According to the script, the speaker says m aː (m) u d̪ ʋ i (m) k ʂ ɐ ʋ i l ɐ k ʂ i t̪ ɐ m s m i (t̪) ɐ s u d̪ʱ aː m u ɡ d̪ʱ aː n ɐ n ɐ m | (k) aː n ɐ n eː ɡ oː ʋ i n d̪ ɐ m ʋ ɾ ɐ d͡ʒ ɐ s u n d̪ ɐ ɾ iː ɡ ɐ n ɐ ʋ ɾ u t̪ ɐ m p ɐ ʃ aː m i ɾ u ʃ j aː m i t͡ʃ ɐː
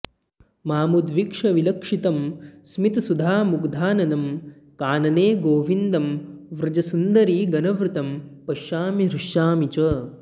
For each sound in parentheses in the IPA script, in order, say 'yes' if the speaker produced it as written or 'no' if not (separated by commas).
yes, no, yes, yes